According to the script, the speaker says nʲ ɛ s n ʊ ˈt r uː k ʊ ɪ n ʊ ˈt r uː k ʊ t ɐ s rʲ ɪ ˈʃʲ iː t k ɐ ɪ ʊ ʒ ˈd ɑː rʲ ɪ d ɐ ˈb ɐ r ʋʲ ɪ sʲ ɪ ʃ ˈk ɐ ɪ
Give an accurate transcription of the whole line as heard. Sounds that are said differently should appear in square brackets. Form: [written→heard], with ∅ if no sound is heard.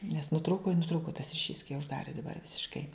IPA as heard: nʲ ɛ s n ʊ ˈt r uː k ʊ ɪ n ʊ ˈt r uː k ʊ t ɐ s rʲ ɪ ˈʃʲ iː [t→s] k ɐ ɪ ʊ ʒ ˈd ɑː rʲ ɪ d ɐ ˈb ɐ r ʋʲ ɪ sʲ ɪ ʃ ˈk ɐ ɪ